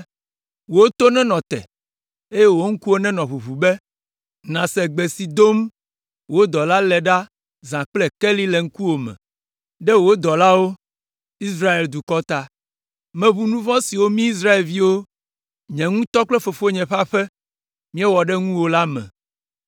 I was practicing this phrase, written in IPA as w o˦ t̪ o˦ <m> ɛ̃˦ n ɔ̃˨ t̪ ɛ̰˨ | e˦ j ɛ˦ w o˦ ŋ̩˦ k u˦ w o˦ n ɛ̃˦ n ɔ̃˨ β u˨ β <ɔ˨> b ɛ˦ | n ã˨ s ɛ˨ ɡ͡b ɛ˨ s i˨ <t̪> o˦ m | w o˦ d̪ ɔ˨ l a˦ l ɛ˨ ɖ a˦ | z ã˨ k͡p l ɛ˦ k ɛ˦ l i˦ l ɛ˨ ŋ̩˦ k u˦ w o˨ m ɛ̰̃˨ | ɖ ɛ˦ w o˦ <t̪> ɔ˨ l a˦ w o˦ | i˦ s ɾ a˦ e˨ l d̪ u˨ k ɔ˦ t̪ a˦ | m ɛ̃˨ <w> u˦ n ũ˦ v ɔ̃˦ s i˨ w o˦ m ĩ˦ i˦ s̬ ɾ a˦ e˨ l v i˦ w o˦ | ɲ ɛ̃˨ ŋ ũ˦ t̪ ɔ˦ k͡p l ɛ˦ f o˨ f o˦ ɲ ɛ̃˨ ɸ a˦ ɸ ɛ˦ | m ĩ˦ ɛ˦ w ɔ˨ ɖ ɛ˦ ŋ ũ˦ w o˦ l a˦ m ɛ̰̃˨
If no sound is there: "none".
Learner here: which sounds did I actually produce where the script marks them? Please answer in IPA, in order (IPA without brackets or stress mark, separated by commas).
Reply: n, u˨, d̪, d̪, β